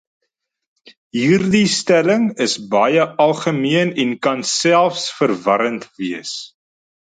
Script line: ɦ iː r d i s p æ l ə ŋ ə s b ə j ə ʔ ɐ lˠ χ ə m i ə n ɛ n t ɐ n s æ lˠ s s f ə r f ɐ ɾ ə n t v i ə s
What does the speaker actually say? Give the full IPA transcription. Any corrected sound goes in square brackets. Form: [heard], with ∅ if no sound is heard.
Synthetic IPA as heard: ɦ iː r d i s [t] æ l ə ŋ ə s b [ɐ] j ə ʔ ɐ lˠ χ ə m i ə n ɛ n [k] ɐ n s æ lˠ [f] s f ə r [v] ɐ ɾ ə n t v i ə s